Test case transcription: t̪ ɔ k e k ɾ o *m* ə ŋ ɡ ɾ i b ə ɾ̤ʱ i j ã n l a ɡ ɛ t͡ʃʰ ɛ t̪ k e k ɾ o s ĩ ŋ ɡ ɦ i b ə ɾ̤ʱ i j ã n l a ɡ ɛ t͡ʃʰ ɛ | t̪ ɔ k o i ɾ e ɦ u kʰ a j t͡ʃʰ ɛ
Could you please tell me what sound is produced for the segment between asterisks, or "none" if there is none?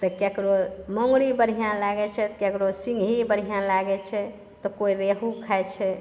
m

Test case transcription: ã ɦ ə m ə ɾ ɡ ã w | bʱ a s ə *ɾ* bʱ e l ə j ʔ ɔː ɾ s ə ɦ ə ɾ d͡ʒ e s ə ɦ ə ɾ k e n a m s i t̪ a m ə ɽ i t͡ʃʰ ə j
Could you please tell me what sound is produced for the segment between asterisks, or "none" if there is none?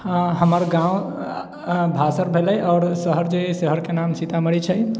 ɾ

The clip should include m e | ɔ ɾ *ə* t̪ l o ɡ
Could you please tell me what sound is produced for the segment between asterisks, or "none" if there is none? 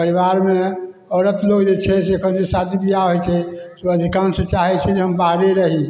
ə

